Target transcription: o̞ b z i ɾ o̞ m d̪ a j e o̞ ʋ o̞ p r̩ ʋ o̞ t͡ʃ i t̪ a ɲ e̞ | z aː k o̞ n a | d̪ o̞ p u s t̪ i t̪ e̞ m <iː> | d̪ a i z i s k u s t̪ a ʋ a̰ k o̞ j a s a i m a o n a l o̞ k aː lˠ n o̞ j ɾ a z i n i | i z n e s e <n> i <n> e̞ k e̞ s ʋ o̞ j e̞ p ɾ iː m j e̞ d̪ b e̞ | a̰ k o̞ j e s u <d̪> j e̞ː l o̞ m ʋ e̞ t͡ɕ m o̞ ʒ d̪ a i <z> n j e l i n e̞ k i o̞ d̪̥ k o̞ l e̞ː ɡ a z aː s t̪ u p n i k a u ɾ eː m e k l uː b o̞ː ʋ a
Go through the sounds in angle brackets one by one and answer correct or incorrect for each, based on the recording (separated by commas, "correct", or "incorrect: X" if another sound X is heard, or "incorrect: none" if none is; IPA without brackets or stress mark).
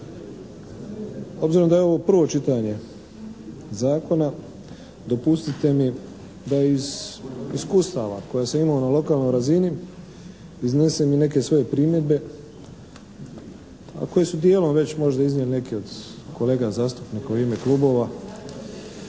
incorrect: i, incorrect: m, correct, correct, correct